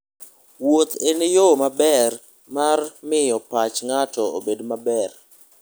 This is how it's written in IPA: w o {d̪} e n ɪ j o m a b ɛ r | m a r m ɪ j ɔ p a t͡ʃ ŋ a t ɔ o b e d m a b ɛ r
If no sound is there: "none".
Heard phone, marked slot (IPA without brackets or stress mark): t̪